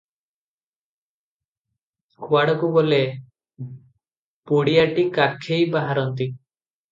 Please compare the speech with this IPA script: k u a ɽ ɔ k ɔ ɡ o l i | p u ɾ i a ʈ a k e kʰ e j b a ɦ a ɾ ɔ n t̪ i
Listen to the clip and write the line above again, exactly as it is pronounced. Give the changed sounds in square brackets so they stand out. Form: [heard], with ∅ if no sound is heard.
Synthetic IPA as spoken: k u a ɽ ɔ k [u] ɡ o l [e] | p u [ɽ] i a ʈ [i] k [a] kʰ e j b a ɦ a ɾ ɔ n t̪ i